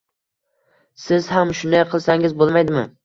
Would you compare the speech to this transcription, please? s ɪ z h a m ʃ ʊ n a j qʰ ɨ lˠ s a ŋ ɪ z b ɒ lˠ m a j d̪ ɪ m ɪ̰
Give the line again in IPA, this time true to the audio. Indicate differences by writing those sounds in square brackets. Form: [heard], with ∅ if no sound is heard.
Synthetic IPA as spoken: s ɪ z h a m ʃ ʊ n a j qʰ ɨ lˠ s a ŋ ɪ z b [o] lˠ m a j d̪ ɪ m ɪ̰